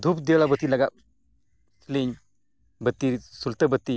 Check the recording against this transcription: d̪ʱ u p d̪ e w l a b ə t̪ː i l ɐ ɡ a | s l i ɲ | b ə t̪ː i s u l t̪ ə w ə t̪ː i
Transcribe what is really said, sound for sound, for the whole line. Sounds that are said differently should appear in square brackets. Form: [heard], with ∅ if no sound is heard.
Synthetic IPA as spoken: d̪ʱ u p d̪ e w l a b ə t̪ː i l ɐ ɡ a | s l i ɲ | b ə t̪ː i s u l t̪ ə [b] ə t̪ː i

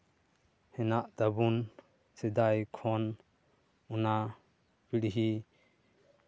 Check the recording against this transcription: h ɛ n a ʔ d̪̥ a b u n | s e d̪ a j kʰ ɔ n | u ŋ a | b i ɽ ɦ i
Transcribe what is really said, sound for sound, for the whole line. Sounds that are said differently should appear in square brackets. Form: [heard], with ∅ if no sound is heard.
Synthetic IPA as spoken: h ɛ n a ʔ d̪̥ a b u n | s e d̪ a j kʰ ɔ n | u [n] a | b i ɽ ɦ i

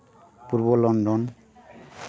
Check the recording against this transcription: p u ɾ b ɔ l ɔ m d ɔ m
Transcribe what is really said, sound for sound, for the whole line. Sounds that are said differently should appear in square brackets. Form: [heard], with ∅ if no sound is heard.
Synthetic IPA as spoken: p u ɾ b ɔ l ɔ [n] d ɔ [n]

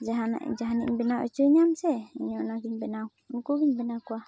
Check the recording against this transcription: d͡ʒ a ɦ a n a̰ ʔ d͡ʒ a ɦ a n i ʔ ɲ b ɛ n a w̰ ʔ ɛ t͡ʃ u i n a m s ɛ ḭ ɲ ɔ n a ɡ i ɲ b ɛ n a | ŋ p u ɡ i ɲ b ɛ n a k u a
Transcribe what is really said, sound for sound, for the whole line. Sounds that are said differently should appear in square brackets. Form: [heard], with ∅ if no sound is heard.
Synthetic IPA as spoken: d͡ʒ a ɦ a n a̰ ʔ d͡ʒ a ɦ a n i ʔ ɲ b ɛ n a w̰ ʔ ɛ t͡ʃ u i [ɲ] a m s ɛ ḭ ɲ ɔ n a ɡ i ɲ b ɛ n a | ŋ [k] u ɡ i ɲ b ɛ n a k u a

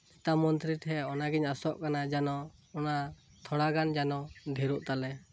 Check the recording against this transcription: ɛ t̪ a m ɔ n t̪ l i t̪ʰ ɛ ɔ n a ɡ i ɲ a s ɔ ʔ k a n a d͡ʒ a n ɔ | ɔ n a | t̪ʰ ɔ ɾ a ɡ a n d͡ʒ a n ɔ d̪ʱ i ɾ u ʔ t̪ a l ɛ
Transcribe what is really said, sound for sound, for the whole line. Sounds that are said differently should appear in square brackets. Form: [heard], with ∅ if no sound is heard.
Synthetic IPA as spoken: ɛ t̪ a m ɔ n t̪ [ɾ] i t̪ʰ ɛ ɔ n a ɡ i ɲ a s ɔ ʔ k a n a d͡ʒ a n ɔ | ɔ n a | t̪ʰ ɔ [ɽ] a ɡ a n d͡ʒ a n ɔ d̪ʱ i ɾ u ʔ t̪ a l ɛ

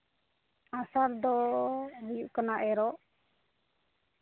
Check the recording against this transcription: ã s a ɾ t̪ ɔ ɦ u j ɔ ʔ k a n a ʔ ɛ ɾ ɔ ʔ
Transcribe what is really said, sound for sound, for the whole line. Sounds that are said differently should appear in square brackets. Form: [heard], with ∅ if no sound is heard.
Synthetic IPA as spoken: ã s a ɾ [d̪] ɔ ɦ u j [u] ʔ k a n a ʔ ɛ ɾ ɔ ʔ

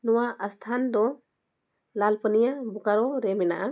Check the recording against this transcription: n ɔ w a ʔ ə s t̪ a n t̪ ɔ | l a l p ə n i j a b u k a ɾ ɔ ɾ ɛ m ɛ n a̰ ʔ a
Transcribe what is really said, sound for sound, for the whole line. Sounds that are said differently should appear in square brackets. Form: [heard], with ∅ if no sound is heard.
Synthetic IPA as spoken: n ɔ w a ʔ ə s [t̪ʰ] a n [d̪] ɔ | l a l p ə n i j a b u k a ɾ ɔ ɾ ɛ m ɛ n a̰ ʔ a

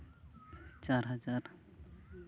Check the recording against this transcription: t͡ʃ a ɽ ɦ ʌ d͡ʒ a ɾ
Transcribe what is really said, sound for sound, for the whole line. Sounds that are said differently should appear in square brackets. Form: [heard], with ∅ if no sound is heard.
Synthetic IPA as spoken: t͡ʃ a [ɾ] ɦ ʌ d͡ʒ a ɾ

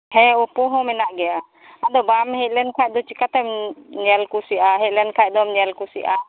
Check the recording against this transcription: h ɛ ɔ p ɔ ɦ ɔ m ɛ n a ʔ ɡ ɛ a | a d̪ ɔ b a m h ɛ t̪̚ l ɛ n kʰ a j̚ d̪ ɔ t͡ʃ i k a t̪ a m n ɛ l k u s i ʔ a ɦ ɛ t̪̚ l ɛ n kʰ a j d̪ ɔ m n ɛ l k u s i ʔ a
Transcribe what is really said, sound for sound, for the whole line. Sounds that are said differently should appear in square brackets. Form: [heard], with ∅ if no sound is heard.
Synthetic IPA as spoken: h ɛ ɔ p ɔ ɦ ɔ m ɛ n a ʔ ɡ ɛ a | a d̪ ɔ b a m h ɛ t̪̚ l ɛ n kʰ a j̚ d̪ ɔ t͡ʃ i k a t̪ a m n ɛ l k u s i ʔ a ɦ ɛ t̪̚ l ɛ n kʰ a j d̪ ɔ m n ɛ l k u s i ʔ a

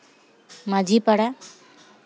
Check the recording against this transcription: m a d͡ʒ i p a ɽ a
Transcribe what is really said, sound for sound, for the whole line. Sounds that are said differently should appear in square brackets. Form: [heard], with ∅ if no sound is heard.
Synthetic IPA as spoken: m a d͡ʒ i p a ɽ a

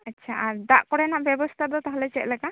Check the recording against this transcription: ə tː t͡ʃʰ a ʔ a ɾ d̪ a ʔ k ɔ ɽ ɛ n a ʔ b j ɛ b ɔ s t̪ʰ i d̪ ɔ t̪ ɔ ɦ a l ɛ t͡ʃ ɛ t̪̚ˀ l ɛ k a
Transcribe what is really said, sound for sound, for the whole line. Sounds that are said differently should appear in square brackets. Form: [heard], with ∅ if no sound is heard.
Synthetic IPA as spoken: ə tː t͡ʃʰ a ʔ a ɾ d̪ a ʔ k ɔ ɽ ɛ n a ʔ b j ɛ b ɔ s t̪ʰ [a] d̪ ɔ t̪ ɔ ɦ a l ɛ t͡ʃ ɛ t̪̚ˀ l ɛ k a

